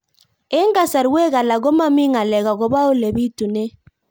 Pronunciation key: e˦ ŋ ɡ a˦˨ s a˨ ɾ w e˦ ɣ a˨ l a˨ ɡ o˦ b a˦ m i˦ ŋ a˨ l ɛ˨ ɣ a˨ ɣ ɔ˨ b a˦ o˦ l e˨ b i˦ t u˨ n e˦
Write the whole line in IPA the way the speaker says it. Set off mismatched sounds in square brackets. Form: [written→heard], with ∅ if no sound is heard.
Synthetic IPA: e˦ ŋ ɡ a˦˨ s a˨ ɾ w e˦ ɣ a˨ l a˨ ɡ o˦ [b→m] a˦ m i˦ ŋ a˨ l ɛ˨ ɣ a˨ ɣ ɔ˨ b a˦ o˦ l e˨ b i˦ t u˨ n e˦